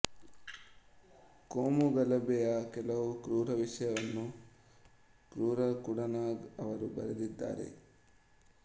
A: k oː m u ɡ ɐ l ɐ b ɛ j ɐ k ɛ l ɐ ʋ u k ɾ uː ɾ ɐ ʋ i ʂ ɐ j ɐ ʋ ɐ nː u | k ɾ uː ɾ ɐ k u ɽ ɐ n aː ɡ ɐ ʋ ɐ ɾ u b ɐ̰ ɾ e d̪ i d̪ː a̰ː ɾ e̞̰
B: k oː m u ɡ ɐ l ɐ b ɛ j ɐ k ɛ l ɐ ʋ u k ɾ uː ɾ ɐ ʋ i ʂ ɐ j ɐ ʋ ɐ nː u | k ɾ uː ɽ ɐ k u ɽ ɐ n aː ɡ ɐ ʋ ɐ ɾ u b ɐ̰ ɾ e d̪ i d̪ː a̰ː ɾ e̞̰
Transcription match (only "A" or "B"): A